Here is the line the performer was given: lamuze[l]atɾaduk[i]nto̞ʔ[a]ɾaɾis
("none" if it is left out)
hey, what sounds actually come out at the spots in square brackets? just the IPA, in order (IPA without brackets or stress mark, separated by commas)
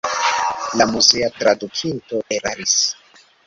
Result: none, i, e